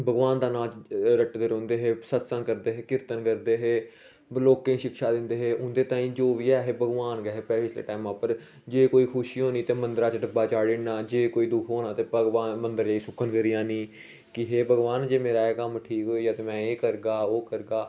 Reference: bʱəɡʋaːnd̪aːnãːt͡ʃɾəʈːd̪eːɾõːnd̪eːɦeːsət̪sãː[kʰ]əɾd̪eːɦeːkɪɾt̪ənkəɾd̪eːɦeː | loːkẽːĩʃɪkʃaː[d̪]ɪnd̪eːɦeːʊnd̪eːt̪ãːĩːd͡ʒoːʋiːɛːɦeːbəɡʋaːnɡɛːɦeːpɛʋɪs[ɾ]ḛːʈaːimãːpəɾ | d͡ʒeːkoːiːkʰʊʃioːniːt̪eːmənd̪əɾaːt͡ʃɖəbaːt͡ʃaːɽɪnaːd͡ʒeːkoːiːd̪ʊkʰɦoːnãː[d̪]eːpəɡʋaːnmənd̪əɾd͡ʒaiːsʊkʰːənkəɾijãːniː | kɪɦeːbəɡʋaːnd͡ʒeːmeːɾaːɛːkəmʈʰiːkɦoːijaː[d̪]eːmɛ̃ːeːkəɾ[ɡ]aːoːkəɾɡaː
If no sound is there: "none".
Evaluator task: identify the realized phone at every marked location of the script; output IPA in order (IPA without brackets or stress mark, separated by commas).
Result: k, d̪, l, t̪, t̪, ɡ